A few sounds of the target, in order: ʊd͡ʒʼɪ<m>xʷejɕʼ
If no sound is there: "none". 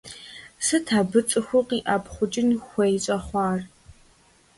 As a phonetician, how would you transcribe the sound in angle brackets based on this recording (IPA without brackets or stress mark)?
n